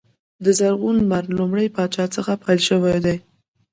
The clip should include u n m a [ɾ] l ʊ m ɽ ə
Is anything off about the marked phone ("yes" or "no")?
no